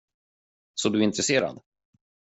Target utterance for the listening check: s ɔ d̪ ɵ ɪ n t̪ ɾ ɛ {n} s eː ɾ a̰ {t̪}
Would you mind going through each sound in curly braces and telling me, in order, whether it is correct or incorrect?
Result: incorrect, incorrect

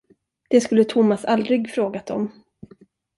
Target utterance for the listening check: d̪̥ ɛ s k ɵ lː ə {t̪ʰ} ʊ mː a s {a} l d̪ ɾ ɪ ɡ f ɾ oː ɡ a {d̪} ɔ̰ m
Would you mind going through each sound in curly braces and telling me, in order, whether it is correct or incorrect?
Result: correct, correct, incorrect

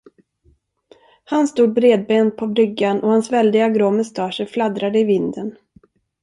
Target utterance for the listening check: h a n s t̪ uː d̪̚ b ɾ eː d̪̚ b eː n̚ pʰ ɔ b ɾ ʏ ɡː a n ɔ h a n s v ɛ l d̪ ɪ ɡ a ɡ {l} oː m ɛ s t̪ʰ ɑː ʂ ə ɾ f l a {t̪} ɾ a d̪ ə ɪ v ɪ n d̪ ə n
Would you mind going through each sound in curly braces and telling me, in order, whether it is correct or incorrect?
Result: incorrect, incorrect

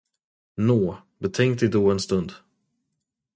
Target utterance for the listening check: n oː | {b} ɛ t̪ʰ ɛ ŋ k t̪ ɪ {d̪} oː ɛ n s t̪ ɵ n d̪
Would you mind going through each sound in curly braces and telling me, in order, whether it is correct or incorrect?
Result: correct, correct

